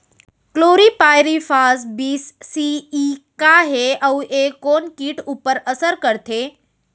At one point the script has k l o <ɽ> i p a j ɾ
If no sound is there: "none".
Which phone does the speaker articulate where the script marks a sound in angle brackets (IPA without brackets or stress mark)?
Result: ɾ